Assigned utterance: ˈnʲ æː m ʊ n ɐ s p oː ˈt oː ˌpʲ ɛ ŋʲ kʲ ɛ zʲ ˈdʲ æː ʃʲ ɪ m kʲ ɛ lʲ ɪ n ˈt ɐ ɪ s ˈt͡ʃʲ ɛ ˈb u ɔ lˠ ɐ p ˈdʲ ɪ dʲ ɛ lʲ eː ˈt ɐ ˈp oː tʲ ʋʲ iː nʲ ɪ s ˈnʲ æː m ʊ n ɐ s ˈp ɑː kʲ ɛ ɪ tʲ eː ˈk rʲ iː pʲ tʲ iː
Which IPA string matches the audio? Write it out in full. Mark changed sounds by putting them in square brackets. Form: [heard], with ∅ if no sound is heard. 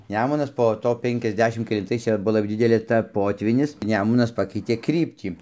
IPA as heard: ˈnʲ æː m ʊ n ɐ s p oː ˈt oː ˌpʲ ɛ ŋʲ kʲ ɛ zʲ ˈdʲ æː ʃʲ ɪ m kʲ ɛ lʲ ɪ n ˈt ɐ ɪ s ˈt͡ʃʲ ɛ ˈb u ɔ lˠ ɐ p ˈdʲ ɪ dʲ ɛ lʲ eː ˈt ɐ ˈp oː tʲ ʋʲ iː nʲ ɪ s ˈnʲ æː m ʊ n ɐ s ˈp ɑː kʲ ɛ ɪ tʲ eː ˈk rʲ iː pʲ tʲ iː